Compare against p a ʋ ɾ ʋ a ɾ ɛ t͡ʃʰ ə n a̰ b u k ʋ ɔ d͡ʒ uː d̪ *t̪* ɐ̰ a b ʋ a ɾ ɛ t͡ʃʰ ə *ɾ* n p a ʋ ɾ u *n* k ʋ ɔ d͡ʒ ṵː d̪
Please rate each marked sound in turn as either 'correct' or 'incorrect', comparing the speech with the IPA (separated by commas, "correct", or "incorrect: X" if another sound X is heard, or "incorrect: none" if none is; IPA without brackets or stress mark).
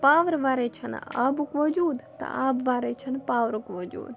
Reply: correct, incorrect: none, incorrect: none